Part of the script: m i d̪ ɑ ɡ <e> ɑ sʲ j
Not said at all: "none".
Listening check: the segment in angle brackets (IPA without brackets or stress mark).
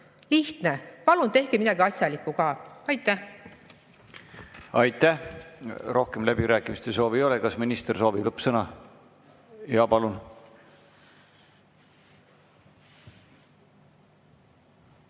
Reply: i